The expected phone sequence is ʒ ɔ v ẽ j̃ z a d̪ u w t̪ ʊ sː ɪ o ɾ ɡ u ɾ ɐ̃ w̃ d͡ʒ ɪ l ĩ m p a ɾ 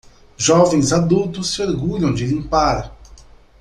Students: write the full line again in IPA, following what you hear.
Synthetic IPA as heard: ʒ ɔ v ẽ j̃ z a d̪ u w t̪ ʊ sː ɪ o ɾ ɡ u ʎ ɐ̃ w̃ d͡ʒ ɪ l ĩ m p a ɾ